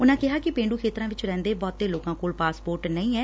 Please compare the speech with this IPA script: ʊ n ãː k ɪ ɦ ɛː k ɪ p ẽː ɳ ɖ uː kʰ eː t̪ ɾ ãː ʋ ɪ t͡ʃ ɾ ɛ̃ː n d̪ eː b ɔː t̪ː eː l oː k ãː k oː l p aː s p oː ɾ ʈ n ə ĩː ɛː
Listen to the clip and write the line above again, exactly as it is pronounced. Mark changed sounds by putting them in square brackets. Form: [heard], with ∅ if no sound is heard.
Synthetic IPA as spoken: ʊ n ãː k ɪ ɦ [aː] k ɪ p ẽː ɳ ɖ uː kʰ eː t̪ ɾ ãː ʋ ɪ t͡ʃ ɾ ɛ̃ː n d̪ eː b ɔː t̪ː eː l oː k ãː k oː l p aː s p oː ɾ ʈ n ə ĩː ɛː

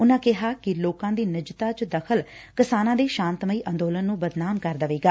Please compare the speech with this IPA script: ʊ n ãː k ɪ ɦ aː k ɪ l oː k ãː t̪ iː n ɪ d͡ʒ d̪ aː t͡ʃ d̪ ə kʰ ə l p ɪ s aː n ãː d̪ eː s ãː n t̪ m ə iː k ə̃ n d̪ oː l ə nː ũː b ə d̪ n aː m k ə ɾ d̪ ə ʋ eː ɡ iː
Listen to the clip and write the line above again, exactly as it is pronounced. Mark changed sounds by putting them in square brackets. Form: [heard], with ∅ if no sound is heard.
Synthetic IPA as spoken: ʊ n ãː k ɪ ɦ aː k ɪ l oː k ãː [d̪] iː n ɪ d͡ʒ [t̪] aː t͡ʃ d̪ ə kʰ ə l [k] ɪ s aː n ãː d̪ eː [ʃ] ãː n t̪ m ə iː [ʔ] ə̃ n d̪ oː l ə nː ũː b ə d̪ n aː m k ə ɾ d̪ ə ʋ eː ɡ [aː]

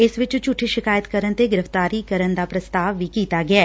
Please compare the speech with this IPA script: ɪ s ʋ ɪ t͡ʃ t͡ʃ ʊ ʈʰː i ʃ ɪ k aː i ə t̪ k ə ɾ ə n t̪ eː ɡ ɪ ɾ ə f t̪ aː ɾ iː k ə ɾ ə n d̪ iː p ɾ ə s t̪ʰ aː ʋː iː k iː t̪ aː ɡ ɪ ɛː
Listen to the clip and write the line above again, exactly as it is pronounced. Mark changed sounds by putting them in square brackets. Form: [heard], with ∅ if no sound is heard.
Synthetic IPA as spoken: ɪ s ʋ ɪ t͡ʃ t͡ʃ ʊ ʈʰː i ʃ ɪ k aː [j] ə t̪ k ə ɾ ə n t̪ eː ɡ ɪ ɾ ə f t̪ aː ɾ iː k ə ɾ ə n d̪ [aː] p ɾ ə s [t̪] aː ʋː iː k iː t̪ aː ɡ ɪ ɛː

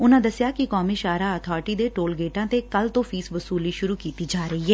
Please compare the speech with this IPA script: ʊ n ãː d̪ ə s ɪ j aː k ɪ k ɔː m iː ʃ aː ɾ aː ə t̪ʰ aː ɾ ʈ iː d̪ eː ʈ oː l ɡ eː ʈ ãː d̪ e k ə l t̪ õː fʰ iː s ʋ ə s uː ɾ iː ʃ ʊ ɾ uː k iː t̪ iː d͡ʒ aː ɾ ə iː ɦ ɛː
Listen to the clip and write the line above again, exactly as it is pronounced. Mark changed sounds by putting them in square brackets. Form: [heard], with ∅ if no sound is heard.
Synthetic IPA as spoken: ʊ n ãː d̪ ə s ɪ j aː k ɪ k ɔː m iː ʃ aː ɾ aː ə t̪ʰ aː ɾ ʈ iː d̪ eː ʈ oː l ɡ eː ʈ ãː [t̪] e k ə l t̪ õː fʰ iː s ʋ ə s uː [l] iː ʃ ʊ ɾ uː k iː t̪ iː d͡ʒ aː ɾ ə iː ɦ ɛː

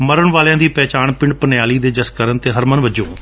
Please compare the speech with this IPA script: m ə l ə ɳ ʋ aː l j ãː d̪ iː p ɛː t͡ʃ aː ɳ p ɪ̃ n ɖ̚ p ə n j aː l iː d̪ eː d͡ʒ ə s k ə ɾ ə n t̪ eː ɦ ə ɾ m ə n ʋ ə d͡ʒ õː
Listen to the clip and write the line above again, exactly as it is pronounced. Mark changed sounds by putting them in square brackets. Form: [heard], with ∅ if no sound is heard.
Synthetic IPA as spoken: m ə [ɾ] ə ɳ ʋ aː l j ãː d̪ iː p ɛː t͡ʃ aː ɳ p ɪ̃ [ɳ] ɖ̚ p ə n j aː l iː d̪ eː d͡ʒ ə s k ə ɾ ə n t̪ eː ɦ ə ɾ m ə n ʋ ə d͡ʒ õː

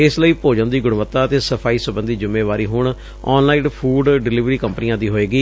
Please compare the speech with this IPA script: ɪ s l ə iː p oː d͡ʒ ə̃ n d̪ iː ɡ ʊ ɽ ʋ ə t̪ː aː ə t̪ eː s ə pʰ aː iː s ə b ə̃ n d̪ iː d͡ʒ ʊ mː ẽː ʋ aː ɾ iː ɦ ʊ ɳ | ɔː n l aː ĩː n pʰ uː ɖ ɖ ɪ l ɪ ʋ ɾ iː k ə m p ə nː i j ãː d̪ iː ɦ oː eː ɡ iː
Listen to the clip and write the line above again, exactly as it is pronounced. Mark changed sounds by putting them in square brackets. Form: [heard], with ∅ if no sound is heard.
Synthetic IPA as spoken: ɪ s l ə iː p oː d͡ʒ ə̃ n d̪ iː ɡ ʊ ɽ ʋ ə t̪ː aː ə t̪ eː s ə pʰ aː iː s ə b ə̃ n d̪ iː d͡ʒ ʊ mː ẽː ʋ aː ɾ iː ɦ ʊ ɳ | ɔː n l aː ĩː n pʰ uː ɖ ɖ ɪ l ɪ ʋ ɾ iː k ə m p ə [n] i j ãː d̪ iː ɦ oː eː ɡ iː

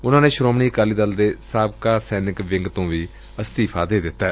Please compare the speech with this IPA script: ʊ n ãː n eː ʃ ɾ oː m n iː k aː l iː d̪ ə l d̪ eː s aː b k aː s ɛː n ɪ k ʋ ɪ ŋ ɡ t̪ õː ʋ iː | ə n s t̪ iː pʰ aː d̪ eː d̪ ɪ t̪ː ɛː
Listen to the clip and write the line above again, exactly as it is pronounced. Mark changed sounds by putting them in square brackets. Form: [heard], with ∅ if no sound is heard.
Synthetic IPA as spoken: ʊ n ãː n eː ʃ ɾ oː m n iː k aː l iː d̪ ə l d̪ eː s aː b k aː s ɛː n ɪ k ʋ ɪ ŋ ɡ t̪ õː ʋ iː | ə [∅] s t̪ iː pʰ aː d̪ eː d̪ ɪ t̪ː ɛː

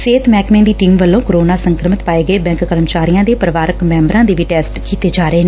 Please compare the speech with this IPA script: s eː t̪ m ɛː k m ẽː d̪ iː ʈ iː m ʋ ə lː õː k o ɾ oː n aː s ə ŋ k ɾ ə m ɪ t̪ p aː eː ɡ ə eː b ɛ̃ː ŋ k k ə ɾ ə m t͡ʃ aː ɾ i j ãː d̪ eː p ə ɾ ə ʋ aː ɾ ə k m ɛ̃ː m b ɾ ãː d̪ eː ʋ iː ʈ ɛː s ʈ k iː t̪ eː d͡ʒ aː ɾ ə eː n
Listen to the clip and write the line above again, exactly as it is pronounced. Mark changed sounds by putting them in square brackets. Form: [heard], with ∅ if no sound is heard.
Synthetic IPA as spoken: s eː t̪ m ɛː k m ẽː d̪ iː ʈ iː m ʋ ə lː õː k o ɾ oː n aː s ə ŋ k ɾ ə m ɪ t̪ p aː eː ɡ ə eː b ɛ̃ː ŋ k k ə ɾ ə m t͡ʃ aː ɾ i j ãː d̪ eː p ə ɾ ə ʋ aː ɾ ə k m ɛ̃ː m b ɾ ãː d̪ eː ʋ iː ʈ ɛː s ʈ k iː t̪ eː d͡ʒ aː ɾ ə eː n

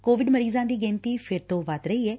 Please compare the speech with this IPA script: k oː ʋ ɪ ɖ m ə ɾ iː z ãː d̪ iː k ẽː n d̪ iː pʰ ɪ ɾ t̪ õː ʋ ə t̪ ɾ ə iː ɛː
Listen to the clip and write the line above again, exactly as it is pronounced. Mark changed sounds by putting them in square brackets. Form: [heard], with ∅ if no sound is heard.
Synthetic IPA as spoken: k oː ʋ ɪ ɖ m ə ɾ iː z ãː d̪ iː [ɡ] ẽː n [t̪] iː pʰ ɪ ɾ t̪ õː ʋ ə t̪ ɾ ə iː ɛː

